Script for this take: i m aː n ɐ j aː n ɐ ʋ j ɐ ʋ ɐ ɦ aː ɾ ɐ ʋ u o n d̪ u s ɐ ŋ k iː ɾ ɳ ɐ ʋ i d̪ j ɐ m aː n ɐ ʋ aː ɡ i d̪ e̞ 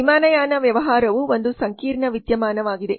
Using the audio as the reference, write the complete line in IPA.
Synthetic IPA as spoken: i m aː n ɐ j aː n ɐ ʋ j ɐ ʋ ɐ ɦ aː ɾ ɐ ʋ u o n d̪ u s ɐ ŋ k iː ɾ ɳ ɐ ʋ i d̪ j ɐ m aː n ɐ ʋ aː ɡ i d̪ e̞